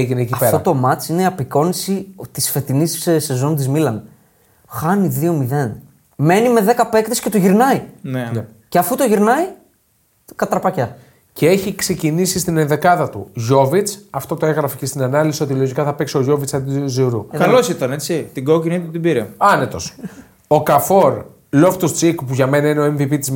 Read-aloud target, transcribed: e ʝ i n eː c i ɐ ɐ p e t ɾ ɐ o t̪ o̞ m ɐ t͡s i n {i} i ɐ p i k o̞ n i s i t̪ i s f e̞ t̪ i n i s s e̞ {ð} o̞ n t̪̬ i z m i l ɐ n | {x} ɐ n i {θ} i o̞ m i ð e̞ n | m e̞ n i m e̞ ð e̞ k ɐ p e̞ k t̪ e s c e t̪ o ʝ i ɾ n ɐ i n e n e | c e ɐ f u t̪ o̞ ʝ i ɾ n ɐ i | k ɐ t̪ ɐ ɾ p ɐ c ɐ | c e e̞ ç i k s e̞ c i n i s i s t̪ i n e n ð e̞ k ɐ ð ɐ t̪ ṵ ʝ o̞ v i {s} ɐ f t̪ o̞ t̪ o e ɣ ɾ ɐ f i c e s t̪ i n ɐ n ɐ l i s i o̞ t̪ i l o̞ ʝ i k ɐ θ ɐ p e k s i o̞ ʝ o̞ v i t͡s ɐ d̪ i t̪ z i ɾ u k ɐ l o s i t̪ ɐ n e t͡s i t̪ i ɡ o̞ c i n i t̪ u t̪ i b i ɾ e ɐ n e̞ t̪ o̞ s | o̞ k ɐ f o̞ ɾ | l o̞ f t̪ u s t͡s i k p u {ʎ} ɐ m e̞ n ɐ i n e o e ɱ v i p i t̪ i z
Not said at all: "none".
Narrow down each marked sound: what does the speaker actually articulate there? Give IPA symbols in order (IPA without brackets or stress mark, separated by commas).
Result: e, z, x, ð, t͡s, ʝ